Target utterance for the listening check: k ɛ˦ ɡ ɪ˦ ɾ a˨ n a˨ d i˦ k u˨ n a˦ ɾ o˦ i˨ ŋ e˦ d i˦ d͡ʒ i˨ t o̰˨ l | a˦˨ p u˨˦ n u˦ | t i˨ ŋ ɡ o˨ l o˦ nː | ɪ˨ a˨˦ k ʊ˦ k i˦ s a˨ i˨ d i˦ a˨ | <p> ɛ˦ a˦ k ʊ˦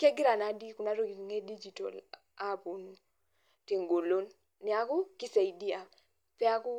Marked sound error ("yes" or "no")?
no